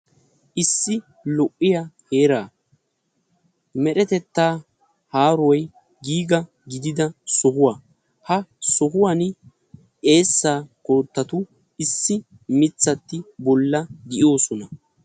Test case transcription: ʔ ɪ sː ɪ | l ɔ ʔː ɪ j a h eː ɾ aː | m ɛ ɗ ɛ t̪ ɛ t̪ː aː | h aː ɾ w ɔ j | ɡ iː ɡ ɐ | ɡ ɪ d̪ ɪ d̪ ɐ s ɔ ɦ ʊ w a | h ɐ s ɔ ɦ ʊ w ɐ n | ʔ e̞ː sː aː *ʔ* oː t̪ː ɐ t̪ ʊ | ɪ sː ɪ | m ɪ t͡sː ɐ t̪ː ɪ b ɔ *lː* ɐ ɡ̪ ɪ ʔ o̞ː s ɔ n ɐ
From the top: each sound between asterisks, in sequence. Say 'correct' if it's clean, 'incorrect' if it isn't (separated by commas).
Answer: incorrect, correct